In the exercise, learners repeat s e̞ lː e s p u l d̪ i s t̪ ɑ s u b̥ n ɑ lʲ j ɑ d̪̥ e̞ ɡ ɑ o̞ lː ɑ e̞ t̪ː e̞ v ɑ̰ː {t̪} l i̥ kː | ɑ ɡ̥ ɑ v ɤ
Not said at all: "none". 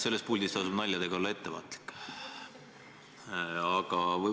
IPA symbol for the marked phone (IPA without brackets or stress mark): t̪